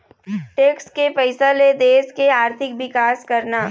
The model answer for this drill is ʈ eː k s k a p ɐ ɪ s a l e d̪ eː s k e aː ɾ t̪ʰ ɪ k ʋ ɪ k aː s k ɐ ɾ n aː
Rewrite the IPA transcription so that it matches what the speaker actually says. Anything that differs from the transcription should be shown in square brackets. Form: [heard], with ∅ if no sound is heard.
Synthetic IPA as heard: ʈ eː k s k [e] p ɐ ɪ s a l e d̪ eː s k e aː ɾ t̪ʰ ɪ k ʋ ɪ k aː s k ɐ ɾ n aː